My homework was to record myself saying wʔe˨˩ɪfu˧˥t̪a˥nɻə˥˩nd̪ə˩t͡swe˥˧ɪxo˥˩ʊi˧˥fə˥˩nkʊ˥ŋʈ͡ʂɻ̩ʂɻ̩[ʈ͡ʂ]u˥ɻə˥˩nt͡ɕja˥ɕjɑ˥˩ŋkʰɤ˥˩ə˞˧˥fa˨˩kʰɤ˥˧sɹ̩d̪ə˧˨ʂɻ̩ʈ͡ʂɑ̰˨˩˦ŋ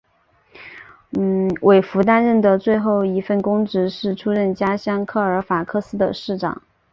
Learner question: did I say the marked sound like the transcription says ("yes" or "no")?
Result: no